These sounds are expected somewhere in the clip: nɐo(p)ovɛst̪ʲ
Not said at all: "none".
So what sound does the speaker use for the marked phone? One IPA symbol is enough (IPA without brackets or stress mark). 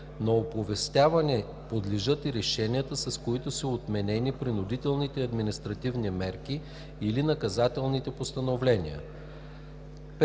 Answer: p